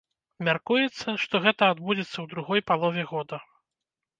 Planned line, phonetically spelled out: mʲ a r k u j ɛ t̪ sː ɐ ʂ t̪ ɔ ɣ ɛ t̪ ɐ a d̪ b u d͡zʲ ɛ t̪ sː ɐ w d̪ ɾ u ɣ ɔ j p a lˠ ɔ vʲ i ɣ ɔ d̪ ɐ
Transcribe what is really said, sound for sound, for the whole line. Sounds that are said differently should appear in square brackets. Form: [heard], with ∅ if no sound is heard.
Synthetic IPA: mʲ a r k u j ɛ t̪ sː ɐ ʂ t̪ ɔ ɣ ɛ t̪ ɐ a d̪ b u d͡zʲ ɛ t̪ sː ɐ w d̪ ɾ u ɣ ɔ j p a lˠ ɔ vʲ [ɛ] ɣ ɔ d̪ ɐ

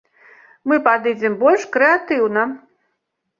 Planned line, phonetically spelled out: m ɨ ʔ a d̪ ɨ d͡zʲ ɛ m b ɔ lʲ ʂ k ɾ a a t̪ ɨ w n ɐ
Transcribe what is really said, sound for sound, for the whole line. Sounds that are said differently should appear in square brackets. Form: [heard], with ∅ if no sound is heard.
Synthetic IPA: m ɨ [p] a d̪ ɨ d͡zʲ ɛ m b ɔ lʲ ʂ k ɾ [ɛ] a t̪ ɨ w n ɐ

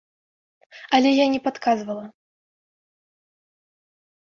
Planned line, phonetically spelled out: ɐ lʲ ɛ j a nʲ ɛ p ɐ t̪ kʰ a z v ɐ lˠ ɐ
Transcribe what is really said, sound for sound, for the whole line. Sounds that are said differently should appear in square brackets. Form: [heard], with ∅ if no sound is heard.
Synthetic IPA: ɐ lʲ ɛ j a nʲ ɛ p [a] t̪ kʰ a z v ɐ lˠ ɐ

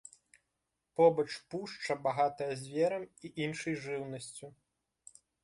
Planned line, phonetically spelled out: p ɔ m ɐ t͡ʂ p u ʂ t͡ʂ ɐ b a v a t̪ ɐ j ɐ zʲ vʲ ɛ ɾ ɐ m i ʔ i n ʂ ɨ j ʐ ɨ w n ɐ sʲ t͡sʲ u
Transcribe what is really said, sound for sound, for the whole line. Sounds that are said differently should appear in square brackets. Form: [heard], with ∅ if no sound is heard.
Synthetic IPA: p ɔ [b] ɐ t͡ʂ p u ʂ t͡ʂ ɐ b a [ɣ] a t̪ ɐ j ɐ zʲ vʲ ɛ ɾ ɐ m i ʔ i n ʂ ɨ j ʐ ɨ w n ɐ sʲ t͡sʲ u

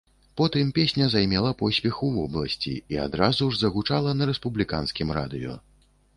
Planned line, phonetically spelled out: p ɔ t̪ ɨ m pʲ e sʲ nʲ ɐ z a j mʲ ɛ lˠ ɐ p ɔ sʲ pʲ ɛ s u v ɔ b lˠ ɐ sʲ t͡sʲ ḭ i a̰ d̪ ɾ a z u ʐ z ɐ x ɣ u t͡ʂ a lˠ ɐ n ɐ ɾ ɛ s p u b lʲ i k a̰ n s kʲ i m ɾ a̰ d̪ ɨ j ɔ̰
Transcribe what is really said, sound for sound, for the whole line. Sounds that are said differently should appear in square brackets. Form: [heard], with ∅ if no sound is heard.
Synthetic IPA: p ɔ t̪ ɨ m pʲ e sʲ nʲ ɐ z a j mʲ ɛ lˠ ɐ p ɔ sʲ pʲ ɛ [x] u v ɔ b lˠ ɐ sʲ t͡sʲ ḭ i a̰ d̪ ɾ a z u ʐ z ɐ [∅] ɣ u t͡ʂ a lˠ ɐ n ɐ ɾ ɛ s p u b lʲ i k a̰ n s kʲ i m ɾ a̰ d̪ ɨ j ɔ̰

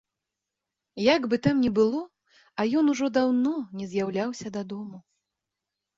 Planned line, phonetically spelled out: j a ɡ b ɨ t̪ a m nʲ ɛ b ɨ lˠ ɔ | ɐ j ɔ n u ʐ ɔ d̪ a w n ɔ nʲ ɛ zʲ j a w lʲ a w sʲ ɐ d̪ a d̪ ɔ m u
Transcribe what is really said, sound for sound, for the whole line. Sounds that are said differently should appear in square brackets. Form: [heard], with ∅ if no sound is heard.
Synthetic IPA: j a ɡ b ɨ t̪ a m nʲ ɛ b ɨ lˠ ɔ | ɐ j ɔ n u ʐ ɔ d̪ a w n ɔ nʲ ɛ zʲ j a w lʲ a w sʲ ɐ d̪ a d̪ ɔ m u

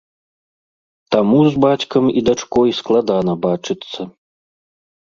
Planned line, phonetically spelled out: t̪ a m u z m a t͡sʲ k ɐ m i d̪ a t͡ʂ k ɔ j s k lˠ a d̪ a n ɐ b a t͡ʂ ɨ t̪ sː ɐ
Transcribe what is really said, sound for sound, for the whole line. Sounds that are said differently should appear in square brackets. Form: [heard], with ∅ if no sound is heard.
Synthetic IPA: t̪ a m u z [b] a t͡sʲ k ɐ m i d̪ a t͡ʂ k ɔ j s k lˠ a d̪ a n ɐ b a t͡ʂ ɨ t̪ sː ɐ

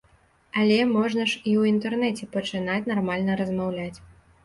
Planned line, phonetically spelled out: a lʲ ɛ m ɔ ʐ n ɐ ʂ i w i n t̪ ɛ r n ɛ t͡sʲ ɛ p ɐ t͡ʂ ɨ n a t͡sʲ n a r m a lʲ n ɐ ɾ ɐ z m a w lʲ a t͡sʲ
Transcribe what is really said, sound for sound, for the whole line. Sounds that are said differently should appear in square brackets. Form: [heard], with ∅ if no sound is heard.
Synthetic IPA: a lʲ ɛ m ɔ ʐ n ɐ ʂ i w i n t̪ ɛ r n ɛ t͡sʲ ɛ p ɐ t͡ʂ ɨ n a t͡sʲ n a r m a lʲ n ɐ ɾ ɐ z m a w lʲ a t͡sʲ

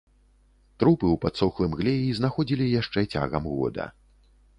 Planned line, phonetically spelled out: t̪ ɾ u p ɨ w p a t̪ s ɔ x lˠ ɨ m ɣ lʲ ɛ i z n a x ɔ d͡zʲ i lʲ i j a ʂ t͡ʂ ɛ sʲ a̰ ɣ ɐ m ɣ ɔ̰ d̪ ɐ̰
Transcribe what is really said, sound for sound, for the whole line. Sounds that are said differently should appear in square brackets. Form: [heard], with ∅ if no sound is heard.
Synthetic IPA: t̪ ɾ u p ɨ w p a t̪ s ɔ x lˠ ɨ m ɣ lʲ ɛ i z n a x ɔ d͡zʲ i lʲ i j a ʂ t͡ʂ ɛ [t͡sʲ] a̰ ɣ ɐ m ɣ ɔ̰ d̪ ɐ̰

